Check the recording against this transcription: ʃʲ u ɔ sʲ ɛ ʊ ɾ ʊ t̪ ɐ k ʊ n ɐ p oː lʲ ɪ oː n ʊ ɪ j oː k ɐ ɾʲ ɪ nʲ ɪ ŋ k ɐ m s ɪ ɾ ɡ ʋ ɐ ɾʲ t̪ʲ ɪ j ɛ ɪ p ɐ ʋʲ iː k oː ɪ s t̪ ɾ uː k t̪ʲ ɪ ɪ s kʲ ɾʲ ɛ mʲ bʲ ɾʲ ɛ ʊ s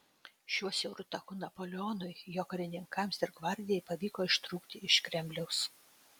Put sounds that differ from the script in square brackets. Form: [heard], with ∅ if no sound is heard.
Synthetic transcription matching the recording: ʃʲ u ɔ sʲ ɛ ʊ ɾ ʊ t̪ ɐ k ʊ n ɐ p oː lʲ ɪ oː n ʊ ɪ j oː k ɐ ɾʲ ɪ nʲ ɪ ŋ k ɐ m s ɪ ɾ ɡ ʋ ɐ ɾʲ [d̪ʲ] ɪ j ɛ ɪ p ɐ ʋʲ iː k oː ɪ [ʃ] t̪ ɾ uː k t̪ʲ ɪ ɪ [ʃ] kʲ ɾʲ ɛ mʲ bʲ [lʲ] ɛ ʊ s